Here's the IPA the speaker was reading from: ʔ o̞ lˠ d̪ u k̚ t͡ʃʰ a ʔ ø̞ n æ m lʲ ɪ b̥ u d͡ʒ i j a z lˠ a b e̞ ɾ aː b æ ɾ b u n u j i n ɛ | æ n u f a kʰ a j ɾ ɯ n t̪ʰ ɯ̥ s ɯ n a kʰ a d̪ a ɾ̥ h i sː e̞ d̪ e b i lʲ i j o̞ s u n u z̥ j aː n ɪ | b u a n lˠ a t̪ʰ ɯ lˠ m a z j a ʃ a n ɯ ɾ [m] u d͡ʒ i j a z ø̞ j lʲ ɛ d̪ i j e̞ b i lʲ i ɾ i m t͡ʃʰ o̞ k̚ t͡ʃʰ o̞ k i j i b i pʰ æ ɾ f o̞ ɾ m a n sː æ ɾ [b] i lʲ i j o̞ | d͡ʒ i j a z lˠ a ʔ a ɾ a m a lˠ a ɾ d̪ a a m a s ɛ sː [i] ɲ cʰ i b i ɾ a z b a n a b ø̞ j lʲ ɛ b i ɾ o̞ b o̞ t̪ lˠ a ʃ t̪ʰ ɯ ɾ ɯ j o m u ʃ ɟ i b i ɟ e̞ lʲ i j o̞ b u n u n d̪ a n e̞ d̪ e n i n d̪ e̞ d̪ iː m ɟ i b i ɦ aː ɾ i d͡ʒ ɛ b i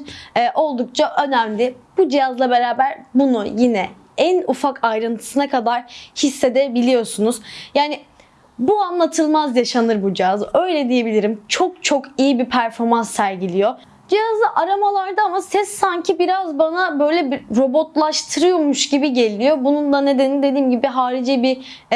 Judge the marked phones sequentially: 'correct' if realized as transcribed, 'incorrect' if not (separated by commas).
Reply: incorrect, incorrect, incorrect